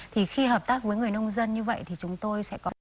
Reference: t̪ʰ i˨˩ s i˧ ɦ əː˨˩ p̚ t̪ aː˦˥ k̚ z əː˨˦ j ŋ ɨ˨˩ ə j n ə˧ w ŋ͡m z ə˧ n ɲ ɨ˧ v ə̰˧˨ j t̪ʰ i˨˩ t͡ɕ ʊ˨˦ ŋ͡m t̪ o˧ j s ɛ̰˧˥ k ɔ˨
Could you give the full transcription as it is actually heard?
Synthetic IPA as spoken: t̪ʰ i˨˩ x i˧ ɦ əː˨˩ p̚ t̪ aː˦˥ k̚ v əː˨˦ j ŋ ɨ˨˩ ə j n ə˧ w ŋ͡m z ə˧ n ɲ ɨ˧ v ə̰˧˨ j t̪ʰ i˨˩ t͡ɕ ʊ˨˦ ŋ͡m t̪ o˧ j s ɛ̰˧˥ k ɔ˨